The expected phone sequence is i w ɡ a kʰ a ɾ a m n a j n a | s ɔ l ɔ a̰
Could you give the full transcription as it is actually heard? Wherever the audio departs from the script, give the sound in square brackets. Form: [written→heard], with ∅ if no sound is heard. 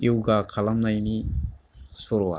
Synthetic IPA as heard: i w ɡ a kʰ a [ɾ→l] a m n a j n [a→i] | s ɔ [l→ɾ] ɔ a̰